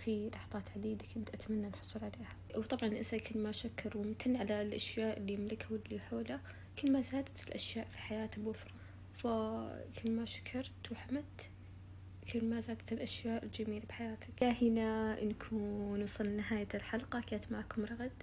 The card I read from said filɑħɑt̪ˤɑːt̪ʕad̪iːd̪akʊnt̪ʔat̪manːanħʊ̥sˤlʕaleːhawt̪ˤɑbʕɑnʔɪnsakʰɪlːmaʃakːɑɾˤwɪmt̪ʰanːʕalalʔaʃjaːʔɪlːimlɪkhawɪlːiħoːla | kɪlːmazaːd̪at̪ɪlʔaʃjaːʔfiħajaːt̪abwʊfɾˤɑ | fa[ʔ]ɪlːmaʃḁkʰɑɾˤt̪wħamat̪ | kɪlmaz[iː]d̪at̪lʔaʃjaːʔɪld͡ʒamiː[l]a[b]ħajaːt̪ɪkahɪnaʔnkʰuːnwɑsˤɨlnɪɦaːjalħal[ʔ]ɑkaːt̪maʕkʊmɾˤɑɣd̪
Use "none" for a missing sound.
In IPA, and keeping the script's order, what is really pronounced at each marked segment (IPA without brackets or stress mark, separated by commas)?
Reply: k, aː, l, b, q